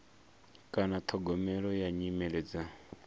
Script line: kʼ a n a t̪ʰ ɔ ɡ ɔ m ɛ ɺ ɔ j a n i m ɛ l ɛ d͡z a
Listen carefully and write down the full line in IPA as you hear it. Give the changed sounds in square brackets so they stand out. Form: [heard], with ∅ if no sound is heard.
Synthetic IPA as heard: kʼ a n a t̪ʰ ɔ ɡ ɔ m ɛ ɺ ɔ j a [ɲ] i m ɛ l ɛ d͡z a